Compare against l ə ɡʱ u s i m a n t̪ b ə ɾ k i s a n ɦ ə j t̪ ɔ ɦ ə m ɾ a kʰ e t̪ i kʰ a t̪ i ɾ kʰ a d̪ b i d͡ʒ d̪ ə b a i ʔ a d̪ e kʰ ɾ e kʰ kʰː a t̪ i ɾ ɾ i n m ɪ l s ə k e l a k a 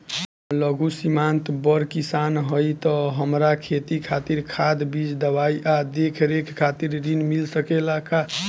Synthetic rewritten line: l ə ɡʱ u s i m a n t̪ b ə ɾ k i s a n ɦ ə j t̪ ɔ ɦ ə m ɾ a kʰ e t̪ i kʰ a t̪ i ɾ kʰ a d̪ b i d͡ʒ d̪ ə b a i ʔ a d̪ e kʰ ɾ e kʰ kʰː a t̪ i ɾ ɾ i n m i l s ə k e l a k a